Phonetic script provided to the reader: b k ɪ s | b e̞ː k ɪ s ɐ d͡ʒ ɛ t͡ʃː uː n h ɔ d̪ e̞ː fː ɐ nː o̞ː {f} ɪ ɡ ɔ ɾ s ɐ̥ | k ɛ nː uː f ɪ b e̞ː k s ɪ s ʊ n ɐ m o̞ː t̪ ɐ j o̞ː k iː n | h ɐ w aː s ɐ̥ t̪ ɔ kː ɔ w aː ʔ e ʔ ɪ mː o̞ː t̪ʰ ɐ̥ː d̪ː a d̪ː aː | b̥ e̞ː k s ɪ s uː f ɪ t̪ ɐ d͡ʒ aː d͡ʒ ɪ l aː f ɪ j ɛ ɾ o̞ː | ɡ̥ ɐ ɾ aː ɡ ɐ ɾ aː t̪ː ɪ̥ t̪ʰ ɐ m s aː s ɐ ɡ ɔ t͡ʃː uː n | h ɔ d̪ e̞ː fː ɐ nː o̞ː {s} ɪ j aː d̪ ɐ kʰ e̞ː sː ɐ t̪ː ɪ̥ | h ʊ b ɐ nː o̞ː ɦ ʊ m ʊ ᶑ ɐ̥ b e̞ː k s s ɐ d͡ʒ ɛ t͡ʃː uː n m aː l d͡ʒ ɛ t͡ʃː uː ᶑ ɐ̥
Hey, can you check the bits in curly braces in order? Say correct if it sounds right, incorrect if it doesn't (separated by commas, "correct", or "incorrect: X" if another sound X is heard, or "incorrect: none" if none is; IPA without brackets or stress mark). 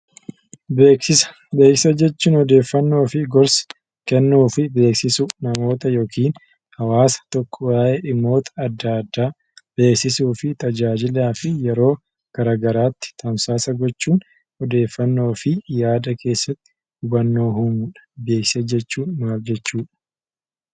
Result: correct, incorrect: f